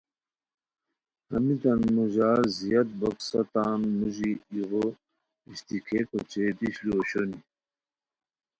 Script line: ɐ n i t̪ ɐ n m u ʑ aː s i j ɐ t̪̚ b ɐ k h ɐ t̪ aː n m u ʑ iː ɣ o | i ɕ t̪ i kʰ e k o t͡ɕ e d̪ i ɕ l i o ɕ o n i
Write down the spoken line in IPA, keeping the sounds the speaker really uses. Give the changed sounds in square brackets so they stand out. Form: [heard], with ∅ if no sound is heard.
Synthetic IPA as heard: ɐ [m] i t̪ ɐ n m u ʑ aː [z] i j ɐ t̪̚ b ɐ k [s] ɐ t̪ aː n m u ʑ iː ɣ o | i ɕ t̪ i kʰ e k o t͡ɕ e d̪ i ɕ l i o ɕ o n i